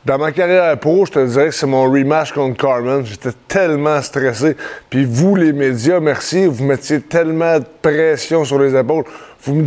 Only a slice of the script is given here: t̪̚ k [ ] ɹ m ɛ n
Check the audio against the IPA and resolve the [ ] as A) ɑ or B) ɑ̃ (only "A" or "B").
A